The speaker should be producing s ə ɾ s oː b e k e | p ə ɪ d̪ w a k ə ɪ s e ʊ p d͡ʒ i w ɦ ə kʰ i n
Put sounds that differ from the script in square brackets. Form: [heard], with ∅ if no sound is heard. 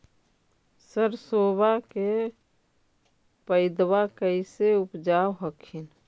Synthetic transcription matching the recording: s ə ɾ s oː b [a] k e | p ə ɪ d̪ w a k ə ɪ s e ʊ p d͡ʒ [a] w ɦ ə kʰ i n